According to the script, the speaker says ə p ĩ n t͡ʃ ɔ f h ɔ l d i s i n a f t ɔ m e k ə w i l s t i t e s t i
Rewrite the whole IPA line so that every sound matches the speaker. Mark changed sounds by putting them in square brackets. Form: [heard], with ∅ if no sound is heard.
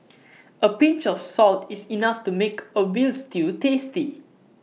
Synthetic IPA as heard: ə p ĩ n t͡ʃ ɔ f [s] ɔ l [t] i s i n a f t [u] m e k ə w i l s t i t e s t i